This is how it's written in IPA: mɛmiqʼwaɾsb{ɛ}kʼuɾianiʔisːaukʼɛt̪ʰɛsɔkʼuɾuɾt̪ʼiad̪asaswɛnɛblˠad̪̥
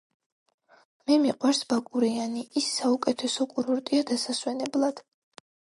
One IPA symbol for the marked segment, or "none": a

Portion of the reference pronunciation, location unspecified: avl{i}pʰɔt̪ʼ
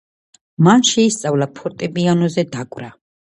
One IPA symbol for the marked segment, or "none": a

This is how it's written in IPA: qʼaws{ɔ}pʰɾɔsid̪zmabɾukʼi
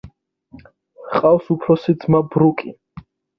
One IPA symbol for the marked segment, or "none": u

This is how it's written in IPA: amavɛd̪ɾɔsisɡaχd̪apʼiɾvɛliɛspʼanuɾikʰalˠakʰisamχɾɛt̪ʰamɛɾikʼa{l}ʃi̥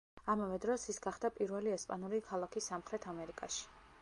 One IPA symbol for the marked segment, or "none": none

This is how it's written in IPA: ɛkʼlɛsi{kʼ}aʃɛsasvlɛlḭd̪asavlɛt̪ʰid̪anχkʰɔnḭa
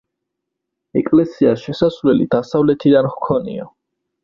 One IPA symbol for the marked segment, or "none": none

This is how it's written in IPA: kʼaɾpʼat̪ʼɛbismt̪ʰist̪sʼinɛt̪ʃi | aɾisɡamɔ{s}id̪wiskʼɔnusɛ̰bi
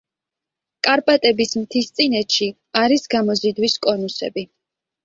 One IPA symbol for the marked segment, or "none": z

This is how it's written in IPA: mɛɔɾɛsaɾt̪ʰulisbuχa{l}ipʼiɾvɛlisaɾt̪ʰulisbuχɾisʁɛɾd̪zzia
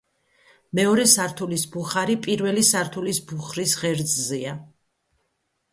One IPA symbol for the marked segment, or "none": ɾ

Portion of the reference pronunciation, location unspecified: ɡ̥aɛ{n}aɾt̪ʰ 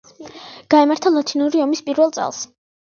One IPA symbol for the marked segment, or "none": m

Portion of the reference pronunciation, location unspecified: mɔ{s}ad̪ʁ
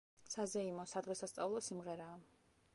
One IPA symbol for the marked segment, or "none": s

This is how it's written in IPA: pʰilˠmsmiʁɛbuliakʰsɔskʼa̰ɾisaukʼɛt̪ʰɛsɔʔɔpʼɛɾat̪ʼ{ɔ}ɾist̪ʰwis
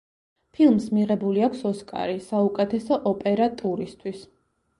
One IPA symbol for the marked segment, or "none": u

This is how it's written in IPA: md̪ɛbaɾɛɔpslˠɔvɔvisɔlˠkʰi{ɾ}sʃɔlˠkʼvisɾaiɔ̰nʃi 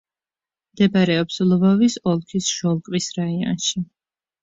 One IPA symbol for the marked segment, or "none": none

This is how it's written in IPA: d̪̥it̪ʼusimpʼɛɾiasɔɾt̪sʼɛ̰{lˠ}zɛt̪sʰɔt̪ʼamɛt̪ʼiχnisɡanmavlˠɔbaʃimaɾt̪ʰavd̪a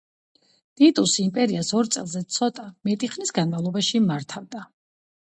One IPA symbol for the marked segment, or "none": lˠ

